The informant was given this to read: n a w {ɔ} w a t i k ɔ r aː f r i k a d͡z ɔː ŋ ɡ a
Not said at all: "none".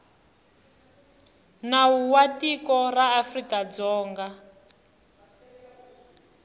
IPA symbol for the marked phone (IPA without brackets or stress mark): u